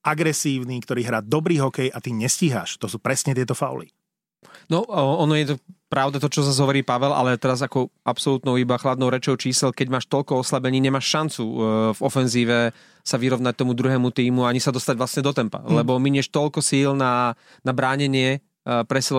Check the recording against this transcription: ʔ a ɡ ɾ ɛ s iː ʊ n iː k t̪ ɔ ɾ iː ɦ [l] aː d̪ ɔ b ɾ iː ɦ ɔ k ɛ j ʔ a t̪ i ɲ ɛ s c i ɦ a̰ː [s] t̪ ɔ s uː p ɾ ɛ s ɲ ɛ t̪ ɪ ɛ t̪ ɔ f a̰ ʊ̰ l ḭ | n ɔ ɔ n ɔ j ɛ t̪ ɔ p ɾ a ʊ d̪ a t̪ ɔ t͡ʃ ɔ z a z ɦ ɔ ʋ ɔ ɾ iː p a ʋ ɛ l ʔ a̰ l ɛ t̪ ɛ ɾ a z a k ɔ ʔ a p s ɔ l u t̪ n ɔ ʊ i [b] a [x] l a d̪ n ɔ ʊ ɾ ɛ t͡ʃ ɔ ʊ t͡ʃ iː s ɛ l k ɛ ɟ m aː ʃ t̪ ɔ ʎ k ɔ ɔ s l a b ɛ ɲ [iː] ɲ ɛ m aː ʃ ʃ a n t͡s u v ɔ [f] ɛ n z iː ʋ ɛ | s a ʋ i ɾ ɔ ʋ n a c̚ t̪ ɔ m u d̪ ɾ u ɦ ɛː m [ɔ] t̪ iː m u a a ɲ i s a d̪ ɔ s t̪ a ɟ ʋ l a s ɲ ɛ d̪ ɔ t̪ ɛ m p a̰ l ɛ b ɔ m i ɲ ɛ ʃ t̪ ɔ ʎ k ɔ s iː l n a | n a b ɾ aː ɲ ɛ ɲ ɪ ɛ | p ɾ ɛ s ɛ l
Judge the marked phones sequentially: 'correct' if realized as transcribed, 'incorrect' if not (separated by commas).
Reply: incorrect, incorrect, correct, correct, correct, correct, incorrect